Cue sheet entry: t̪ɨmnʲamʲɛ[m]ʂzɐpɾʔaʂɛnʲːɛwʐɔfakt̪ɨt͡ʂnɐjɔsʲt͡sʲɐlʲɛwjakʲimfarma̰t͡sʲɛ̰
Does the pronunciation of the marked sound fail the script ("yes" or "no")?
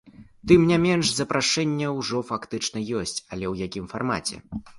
yes